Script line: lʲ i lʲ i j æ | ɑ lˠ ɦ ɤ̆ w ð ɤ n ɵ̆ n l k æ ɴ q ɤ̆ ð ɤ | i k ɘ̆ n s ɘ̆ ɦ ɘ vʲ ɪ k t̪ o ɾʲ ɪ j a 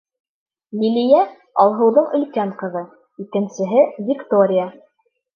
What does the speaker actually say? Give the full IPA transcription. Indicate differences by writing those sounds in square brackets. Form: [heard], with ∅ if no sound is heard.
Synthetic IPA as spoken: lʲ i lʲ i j æ | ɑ lˠ ɦ ɤ̆ w ð ɤ [ɴ] ɵ̆ [∅] l k æ ɴ q ɤ̆ ð ɤ | i k ɘ̆ n s ɘ̆ ɦ ɘ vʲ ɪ k t̪ o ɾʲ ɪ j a